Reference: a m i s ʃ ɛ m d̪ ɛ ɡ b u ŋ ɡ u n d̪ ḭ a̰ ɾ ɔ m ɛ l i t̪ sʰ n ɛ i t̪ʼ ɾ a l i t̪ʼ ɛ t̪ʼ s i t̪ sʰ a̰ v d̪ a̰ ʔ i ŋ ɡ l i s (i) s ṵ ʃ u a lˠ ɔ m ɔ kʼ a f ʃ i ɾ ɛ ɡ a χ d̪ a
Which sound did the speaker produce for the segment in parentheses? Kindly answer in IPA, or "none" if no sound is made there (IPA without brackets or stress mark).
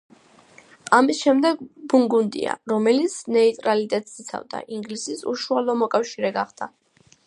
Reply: i